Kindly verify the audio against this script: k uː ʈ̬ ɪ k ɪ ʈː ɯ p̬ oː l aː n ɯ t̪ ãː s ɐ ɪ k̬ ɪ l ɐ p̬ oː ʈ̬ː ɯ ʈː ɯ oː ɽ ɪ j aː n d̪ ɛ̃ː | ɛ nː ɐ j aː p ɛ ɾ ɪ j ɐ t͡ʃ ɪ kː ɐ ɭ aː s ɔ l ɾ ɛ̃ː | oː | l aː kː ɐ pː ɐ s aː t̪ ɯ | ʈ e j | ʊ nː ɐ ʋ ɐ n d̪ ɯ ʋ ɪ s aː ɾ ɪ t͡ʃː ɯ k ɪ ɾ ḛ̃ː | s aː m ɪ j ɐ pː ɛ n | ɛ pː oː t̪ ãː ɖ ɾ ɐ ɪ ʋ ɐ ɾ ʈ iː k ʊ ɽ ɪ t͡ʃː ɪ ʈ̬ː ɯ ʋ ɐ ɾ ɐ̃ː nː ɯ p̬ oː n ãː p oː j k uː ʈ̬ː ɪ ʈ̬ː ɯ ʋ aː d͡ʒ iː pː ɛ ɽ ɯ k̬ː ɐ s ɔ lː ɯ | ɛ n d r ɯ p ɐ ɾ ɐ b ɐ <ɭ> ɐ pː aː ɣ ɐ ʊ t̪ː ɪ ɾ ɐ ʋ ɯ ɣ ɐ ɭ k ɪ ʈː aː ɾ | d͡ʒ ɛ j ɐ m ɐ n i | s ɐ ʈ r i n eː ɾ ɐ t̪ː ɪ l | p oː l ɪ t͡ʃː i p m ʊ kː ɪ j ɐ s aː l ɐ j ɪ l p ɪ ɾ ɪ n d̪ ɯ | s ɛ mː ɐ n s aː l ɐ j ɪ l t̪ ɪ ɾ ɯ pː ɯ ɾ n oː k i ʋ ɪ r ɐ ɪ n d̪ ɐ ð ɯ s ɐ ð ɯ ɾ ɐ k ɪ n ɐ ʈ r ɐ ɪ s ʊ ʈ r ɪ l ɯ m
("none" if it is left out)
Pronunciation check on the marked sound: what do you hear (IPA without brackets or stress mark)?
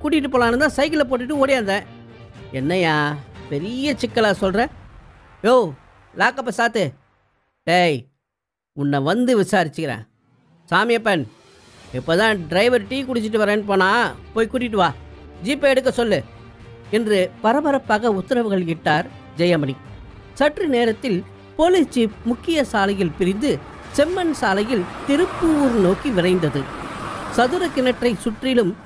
ɾ